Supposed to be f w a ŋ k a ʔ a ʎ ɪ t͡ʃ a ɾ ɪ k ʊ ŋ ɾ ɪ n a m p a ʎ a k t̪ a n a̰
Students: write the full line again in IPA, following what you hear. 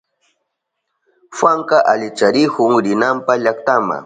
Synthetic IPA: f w a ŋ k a ʔ a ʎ ɪ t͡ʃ a ɾ ɪ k ʊ ŋ ɾ ɪ n a m p a ʎ a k t̪ a m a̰